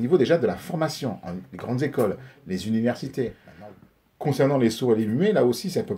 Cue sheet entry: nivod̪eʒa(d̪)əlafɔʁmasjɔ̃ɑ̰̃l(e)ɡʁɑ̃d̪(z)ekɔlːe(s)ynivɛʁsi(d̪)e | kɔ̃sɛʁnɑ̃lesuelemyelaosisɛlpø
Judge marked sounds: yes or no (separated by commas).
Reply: yes, yes, yes, no, no